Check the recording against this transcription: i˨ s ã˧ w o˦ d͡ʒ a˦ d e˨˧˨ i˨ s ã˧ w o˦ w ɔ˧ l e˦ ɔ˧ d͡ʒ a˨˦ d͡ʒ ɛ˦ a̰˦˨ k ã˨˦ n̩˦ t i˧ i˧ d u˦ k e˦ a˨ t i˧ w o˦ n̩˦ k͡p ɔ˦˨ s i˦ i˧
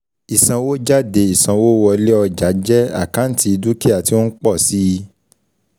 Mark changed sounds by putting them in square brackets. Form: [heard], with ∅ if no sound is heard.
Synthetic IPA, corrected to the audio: i˨ s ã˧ w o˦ d͡ʒ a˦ d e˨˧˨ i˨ s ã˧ w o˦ w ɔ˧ l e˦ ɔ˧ d͡ʒ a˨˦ d͡ʒ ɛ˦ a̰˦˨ k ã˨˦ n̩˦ t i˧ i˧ d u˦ k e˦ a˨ t i˧ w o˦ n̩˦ k͡p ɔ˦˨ s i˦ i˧